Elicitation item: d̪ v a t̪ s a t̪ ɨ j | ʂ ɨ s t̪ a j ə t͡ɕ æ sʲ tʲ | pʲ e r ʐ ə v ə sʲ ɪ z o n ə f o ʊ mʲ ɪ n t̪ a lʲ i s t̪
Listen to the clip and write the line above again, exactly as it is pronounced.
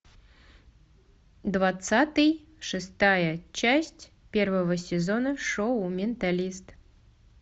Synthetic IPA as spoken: d̪ v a t̪ s a t̪ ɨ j | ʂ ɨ s t̪ a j ə t͡ɕ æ sʲ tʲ | pʲ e r v ə v ə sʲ ɪ z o n ə ʂ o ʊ mʲ ɪ n t̪ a lʲ i s t̪